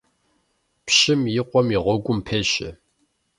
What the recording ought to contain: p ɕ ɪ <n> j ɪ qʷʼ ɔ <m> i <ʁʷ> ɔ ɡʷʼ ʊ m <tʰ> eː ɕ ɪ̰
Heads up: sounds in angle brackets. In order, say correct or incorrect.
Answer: incorrect: m, correct, correct, incorrect: pʰ

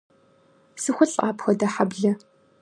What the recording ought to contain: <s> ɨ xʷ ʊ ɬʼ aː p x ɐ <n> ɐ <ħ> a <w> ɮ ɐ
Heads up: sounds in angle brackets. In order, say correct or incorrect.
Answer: correct, incorrect: d, correct, incorrect: b

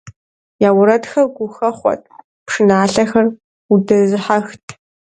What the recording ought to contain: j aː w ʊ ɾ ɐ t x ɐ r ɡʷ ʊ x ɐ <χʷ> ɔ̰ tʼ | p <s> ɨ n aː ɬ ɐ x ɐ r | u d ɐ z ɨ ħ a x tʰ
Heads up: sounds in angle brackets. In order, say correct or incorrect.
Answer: correct, incorrect: ʂ

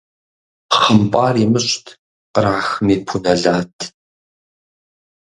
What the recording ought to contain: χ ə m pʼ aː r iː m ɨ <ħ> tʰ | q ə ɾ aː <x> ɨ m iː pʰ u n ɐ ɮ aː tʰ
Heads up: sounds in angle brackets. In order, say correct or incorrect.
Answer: incorrect: ɕ, correct

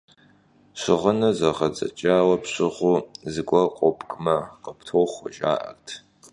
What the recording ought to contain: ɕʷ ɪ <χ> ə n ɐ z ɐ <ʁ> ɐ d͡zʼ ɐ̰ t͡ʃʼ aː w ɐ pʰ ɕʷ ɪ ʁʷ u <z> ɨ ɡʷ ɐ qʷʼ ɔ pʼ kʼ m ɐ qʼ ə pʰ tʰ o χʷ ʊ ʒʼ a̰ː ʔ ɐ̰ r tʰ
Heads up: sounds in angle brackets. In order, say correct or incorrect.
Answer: incorrect: ʁ, correct, correct

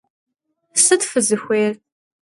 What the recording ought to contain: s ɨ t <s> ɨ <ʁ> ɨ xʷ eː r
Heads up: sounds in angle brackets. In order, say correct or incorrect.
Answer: incorrect: f, incorrect: z

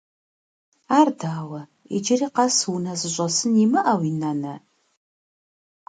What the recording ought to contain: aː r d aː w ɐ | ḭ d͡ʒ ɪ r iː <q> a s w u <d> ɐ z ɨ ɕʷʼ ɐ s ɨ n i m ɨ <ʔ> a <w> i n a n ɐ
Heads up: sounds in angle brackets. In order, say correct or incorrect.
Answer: correct, incorrect: n, correct, correct

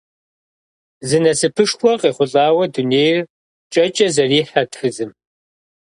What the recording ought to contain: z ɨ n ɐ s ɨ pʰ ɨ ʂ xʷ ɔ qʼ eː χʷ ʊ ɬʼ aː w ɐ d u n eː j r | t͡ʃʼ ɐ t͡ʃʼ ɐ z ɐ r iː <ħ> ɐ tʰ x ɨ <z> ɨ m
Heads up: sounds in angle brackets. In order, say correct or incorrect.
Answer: correct, correct

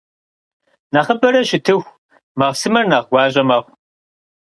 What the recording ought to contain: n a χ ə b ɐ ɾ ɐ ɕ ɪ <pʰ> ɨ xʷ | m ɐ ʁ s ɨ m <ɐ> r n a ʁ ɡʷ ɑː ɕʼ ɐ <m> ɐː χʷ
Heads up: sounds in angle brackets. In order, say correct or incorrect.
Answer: incorrect: tʰ, correct, correct

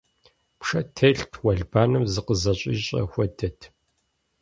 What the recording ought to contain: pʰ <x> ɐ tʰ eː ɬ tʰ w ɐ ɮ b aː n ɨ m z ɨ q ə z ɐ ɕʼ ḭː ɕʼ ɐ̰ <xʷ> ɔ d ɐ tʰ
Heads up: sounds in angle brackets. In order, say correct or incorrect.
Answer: incorrect: ʂ, correct

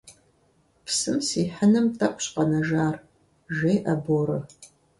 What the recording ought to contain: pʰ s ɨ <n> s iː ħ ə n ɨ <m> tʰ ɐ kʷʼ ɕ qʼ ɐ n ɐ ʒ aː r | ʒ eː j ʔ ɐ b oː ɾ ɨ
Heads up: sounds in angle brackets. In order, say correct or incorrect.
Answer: incorrect: m, correct

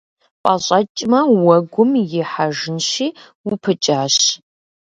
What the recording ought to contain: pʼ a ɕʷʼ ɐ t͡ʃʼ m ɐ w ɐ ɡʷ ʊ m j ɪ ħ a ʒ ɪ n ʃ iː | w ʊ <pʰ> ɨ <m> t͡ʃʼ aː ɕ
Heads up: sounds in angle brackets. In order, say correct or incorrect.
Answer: correct, incorrect: none

